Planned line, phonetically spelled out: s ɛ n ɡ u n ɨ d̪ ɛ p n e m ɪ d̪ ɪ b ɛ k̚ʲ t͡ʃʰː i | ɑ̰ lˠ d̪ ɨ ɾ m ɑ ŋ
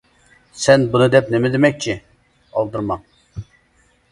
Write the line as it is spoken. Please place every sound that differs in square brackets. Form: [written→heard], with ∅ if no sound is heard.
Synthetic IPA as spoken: s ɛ n [ɡ→b] u n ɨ d̪ ɛ p n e m ɪ d̪ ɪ [b→m] ɛ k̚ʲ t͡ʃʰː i | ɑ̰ lˠ d̪ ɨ ɾ m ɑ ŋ